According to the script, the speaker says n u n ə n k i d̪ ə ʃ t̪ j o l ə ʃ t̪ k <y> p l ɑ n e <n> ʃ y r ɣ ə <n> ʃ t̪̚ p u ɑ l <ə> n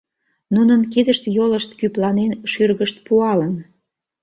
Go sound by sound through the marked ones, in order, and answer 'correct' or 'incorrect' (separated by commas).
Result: correct, correct, incorrect, correct